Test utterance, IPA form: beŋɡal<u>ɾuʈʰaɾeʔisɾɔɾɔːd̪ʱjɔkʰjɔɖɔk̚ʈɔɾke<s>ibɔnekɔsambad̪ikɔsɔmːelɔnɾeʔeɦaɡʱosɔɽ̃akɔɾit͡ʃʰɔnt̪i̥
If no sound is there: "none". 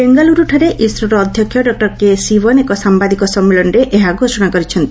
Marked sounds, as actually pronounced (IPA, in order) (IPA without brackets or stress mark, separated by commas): u, s